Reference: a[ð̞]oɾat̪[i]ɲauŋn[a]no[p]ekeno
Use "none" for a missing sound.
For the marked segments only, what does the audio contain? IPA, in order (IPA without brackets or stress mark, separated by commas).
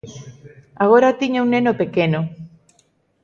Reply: ɣ̞, i, e, p